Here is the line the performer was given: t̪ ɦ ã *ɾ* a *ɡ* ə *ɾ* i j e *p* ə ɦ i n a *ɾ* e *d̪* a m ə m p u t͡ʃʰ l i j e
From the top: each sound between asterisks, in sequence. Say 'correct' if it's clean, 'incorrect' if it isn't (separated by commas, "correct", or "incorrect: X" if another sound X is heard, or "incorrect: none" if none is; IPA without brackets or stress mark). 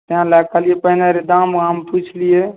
incorrect: l, incorrect: k, incorrect: l, correct, correct, correct